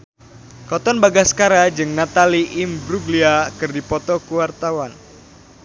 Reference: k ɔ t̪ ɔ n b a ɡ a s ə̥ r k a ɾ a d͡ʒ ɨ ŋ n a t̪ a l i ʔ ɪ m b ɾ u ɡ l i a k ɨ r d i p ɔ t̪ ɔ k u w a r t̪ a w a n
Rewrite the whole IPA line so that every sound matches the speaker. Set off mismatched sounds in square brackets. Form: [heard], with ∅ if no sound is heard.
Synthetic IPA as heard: k ɔ t̪ ɔ n b a ɡ a s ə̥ [∅] k a ɾ a d͡ʒ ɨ ŋ n a t̪ a l i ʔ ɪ m b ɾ u ɡ l i a k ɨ r d i p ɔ t̪ ɔ k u w a r t̪ a w a n